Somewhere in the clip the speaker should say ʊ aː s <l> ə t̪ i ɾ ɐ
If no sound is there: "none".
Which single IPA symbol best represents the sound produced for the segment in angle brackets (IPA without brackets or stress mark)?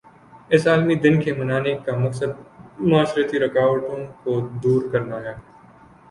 ɾ